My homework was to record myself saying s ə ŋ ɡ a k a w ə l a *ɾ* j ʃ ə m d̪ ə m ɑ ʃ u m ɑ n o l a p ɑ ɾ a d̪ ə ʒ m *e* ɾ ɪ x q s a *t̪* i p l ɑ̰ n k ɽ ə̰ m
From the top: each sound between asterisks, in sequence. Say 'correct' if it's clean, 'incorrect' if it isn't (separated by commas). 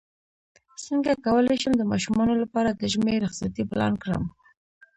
incorrect, correct, correct